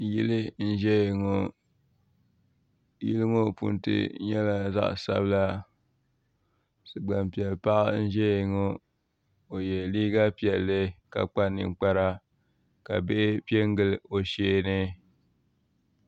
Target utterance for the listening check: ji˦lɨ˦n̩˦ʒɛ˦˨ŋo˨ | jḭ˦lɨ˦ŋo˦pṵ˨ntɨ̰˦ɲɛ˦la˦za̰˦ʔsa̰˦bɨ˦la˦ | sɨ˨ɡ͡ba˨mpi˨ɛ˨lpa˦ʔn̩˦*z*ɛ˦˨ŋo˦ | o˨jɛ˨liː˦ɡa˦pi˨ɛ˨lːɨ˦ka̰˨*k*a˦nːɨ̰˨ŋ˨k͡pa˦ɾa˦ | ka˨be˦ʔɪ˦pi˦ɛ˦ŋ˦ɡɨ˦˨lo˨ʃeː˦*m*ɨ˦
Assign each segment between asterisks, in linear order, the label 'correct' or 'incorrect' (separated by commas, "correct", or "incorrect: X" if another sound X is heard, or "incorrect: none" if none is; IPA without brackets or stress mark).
incorrect: ʒ, incorrect: k͡p, incorrect: n